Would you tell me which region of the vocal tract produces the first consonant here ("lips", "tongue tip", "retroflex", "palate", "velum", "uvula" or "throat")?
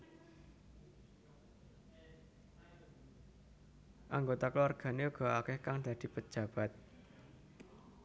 throat